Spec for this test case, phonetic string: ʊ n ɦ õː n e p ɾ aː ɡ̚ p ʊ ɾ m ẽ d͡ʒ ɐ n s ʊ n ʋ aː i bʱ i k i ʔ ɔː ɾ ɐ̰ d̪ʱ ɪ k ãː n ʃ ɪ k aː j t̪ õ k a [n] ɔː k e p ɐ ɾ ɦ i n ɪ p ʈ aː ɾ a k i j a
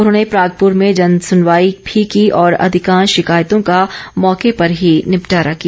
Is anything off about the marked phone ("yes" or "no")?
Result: yes